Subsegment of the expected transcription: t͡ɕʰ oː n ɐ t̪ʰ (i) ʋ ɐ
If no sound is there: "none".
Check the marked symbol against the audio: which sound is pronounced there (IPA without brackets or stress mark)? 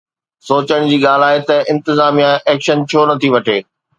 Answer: i